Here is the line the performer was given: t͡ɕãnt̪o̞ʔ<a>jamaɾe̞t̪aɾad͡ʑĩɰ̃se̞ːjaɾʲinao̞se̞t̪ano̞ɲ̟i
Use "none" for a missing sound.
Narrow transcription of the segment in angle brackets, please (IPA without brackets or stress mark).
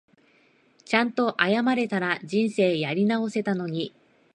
a